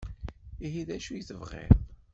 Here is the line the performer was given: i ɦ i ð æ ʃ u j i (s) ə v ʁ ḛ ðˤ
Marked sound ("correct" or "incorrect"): incorrect